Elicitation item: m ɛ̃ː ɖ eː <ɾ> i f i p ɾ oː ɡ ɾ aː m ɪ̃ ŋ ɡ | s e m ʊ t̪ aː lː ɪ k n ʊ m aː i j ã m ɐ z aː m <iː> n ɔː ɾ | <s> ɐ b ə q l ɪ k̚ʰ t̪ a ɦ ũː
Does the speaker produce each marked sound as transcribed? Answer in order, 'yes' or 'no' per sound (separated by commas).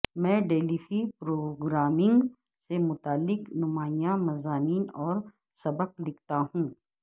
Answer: no, yes, yes